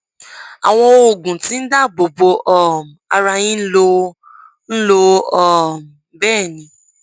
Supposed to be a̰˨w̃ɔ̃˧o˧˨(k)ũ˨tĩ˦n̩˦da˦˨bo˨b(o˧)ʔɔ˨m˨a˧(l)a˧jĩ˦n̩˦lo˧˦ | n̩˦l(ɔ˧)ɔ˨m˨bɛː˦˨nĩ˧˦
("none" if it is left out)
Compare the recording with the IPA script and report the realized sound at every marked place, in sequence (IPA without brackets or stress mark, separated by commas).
ɡ, o˧, ɾ, o˧